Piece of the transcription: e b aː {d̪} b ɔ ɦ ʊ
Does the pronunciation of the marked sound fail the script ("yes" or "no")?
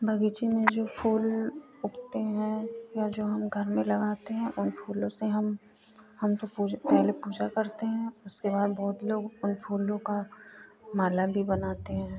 no